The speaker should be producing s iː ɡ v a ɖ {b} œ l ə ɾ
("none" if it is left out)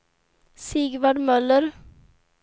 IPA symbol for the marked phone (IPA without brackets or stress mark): m